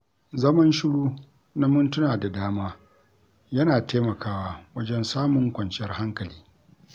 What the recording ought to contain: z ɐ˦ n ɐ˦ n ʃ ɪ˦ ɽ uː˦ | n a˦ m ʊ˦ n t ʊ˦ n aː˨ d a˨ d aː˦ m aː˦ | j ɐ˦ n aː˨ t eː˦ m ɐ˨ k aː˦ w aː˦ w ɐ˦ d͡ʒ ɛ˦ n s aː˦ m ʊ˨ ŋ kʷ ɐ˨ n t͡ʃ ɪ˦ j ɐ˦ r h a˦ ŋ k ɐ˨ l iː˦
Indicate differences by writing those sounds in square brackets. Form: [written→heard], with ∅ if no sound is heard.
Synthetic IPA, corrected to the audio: z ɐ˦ [n→m] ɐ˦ n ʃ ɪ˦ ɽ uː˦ | n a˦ m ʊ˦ n t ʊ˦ n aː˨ d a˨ d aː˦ m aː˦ | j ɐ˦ n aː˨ t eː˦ m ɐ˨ k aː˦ w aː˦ w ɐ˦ d͡ʒ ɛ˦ n s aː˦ m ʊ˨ ŋ kʷ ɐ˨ n t͡ʃ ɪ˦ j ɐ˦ r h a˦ ŋ k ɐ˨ l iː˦